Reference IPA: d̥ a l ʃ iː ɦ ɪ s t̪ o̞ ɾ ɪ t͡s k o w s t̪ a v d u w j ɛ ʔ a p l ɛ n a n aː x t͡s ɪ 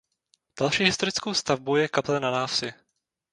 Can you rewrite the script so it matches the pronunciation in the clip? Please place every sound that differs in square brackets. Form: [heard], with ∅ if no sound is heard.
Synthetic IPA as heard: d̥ a l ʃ iː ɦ ɪ s t̪ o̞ ɾ ɪ t͡s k o w s t̪ a v [b] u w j ɛ [k] a p l ɛ n a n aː [f] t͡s ɪ